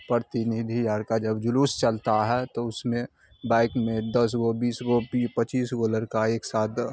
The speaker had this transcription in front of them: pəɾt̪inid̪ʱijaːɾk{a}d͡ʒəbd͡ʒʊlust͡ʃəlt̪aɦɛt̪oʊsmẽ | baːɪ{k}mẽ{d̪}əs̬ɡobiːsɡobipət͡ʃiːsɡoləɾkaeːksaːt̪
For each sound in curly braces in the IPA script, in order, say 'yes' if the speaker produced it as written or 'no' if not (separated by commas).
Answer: yes, yes, yes